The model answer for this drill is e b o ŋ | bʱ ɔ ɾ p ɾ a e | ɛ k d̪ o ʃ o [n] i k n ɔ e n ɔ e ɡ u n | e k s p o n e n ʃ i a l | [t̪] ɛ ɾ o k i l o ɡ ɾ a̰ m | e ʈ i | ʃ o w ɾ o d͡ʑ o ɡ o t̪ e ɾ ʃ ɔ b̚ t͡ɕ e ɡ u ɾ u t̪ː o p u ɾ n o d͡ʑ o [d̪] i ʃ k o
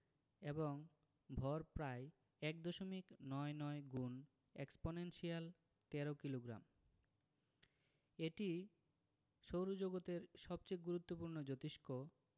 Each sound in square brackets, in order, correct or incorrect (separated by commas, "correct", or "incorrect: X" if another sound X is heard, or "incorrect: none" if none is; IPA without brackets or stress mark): incorrect: m, correct, incorrect: t̪